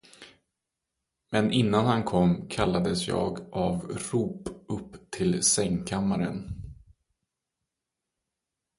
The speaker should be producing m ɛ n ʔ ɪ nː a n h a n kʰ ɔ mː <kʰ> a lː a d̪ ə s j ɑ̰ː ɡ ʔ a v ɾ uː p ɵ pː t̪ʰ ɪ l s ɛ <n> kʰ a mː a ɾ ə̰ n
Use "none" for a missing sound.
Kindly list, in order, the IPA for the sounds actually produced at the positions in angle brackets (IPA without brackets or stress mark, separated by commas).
kʰ, ŋ